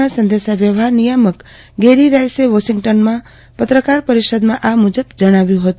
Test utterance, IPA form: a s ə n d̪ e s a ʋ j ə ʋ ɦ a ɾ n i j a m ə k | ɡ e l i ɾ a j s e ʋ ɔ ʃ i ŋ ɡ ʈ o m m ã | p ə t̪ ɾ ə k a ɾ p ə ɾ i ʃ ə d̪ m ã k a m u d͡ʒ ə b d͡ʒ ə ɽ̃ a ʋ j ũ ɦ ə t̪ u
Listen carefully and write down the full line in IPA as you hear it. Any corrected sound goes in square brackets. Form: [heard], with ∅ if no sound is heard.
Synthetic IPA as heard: a s ə n d̪ e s a ʋ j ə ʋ ɦ a ɾ n i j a m ə k | ɡ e [ɾ] i ɾ a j s e ʋ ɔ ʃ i ŋ ɡ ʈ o [n] m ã | p ə t̪ ɾ ə k a ɾ p ə ɾ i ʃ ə d̪ m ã [ʔ] a m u d͡ʒ ə b d͡ʒ ə ɽ̃ a ʋ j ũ ɦ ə t̪ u